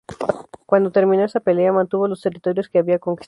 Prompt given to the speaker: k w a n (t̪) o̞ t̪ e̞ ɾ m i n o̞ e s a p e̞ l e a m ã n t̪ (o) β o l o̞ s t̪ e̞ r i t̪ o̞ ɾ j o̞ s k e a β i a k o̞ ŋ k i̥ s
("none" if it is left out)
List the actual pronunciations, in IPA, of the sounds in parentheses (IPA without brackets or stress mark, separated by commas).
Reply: d̪, u